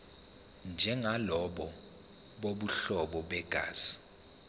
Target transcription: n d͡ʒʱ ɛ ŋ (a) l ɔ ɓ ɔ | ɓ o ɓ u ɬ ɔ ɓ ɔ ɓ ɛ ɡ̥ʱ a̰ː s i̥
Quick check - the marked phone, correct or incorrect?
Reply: correct